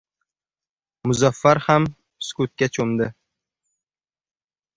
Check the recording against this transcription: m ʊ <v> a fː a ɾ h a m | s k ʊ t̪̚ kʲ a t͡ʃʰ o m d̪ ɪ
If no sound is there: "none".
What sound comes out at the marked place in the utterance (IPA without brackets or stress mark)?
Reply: z